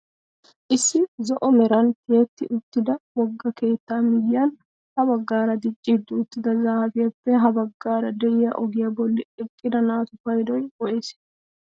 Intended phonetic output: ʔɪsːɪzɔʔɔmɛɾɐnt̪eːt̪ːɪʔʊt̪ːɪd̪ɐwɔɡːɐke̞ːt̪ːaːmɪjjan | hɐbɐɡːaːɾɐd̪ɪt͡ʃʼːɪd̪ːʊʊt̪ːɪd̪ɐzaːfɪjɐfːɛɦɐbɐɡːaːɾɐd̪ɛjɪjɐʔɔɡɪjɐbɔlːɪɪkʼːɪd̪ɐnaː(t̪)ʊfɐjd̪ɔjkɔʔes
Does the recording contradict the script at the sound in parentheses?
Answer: no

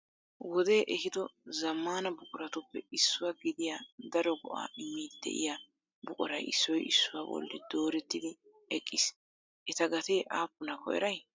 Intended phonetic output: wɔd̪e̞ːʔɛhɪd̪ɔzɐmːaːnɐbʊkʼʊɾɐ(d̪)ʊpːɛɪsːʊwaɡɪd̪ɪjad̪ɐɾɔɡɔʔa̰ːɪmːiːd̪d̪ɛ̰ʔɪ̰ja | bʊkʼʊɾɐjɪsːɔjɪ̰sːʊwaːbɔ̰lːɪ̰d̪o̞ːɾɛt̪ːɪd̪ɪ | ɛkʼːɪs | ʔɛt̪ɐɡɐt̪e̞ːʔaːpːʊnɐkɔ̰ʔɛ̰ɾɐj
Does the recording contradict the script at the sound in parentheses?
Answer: yes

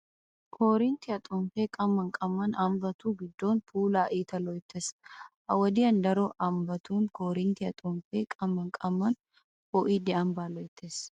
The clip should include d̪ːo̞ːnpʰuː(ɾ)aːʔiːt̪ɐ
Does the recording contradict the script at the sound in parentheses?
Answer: yes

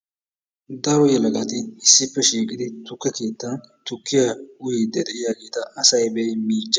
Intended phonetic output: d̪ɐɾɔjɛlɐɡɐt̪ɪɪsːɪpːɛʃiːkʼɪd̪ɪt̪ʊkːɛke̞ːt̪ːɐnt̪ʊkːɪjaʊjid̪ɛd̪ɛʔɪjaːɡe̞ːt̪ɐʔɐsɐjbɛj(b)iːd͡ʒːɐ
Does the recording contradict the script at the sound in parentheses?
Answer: yes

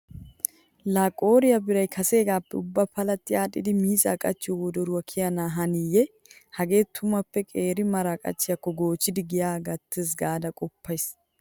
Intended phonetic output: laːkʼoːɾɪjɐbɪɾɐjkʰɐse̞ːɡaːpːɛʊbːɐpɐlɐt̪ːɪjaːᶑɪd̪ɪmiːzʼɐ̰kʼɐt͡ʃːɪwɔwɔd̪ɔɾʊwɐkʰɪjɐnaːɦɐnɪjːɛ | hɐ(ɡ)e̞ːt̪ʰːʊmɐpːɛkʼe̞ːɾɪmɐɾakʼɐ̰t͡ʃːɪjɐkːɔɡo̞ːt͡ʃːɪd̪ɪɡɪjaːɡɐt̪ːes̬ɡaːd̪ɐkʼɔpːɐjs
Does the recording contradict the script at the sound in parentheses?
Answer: no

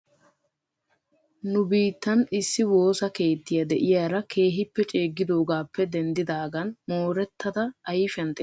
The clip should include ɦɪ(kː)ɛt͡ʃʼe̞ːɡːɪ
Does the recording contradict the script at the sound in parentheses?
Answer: yes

